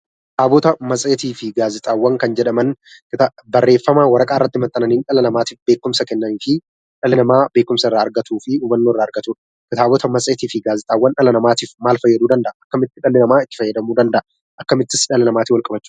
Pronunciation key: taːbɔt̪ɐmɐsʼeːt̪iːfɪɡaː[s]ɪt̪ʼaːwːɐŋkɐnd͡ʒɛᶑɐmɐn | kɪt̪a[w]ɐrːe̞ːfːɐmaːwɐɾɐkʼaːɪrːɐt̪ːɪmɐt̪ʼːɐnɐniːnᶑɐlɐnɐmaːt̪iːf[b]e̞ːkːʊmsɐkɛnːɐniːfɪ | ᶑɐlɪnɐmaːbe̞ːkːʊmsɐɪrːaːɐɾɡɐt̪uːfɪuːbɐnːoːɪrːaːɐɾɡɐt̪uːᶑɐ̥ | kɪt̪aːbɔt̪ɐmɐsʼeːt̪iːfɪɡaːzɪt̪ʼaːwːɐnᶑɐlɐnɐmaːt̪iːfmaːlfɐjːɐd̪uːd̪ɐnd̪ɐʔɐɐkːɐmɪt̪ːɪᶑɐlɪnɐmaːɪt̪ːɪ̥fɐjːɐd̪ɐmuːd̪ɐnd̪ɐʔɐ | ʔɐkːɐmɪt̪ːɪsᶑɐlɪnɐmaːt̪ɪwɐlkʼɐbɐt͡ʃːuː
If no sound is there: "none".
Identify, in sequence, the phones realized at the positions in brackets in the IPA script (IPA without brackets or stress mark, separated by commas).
z, b, b